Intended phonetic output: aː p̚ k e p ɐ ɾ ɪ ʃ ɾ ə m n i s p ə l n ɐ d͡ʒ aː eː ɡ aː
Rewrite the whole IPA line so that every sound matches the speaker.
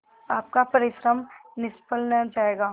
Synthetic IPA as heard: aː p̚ k a p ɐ ɾ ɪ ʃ ɾ ə m n ɪ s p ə l n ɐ d͡ʒ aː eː ɡ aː

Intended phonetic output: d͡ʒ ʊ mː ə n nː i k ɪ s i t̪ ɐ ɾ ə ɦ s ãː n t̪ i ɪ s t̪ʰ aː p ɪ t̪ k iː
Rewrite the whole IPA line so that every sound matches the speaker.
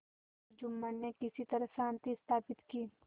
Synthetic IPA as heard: d͡ʒ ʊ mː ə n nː e k ɪ s i t̪ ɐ ɾ ə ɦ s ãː n t̪ i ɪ s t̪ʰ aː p ɪ t̪ k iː

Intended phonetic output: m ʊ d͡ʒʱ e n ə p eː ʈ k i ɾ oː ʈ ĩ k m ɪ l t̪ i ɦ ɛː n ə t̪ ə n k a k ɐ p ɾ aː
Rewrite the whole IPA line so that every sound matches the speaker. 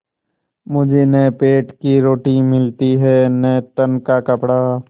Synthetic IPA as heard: m ʊ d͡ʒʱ e n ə p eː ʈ k i ɾ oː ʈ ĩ m ɪ l t̪ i ɦ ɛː n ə t̪ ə n k a k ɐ p ɽ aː

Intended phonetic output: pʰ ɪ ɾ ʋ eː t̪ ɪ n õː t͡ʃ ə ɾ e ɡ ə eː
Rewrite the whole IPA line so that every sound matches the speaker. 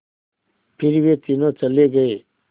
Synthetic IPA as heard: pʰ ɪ ɾ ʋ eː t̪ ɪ n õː t͡ʃ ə l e ɡ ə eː

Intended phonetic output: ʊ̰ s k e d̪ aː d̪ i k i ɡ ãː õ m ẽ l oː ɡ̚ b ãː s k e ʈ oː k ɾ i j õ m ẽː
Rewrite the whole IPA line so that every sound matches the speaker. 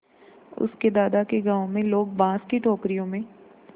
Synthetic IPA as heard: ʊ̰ s k e d̪ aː d̪ a k e ɡ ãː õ m ẽ l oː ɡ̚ b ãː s k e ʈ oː k ɾ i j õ m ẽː

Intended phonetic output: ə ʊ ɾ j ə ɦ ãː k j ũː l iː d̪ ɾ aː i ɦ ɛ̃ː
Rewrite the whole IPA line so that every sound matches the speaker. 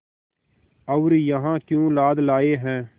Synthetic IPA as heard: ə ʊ ɾ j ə ɦ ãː k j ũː l aː d̪ l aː e ɦ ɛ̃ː

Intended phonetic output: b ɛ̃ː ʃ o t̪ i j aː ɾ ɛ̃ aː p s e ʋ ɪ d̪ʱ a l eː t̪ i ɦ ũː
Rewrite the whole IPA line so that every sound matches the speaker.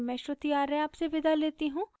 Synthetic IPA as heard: m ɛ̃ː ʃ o t̪ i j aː ɾ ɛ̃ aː p s e ʋ ɪ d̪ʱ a l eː t̪ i ɦ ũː

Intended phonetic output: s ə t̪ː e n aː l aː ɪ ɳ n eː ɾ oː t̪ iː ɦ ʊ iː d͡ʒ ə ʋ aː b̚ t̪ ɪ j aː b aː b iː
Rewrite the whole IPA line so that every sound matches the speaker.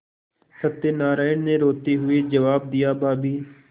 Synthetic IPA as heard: s ə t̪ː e n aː ɾ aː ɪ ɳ n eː ɾ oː t̪ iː ɦ ʊ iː d͡ʒ ə ʋ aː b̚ d̪ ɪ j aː b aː b iː

